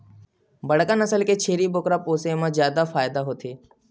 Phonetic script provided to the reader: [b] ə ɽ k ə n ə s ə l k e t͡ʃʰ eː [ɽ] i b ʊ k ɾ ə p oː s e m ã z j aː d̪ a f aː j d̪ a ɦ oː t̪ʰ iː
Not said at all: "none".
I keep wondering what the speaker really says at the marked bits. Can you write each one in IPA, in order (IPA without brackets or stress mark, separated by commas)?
b, ɾ